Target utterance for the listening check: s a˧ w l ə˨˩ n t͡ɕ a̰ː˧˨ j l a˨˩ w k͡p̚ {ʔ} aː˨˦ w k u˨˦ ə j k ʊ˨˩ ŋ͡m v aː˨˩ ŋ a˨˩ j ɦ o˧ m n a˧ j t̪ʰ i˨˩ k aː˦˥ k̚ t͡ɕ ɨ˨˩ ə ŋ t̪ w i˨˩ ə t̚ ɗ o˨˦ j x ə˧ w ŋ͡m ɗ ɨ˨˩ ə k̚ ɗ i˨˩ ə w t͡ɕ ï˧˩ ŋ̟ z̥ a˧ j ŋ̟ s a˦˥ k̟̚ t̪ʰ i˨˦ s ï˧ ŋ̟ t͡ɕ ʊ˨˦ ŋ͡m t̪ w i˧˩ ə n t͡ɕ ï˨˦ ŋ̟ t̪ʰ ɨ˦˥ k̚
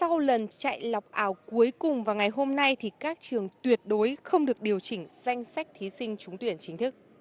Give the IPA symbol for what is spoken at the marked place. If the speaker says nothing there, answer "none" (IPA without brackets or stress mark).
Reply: ʔ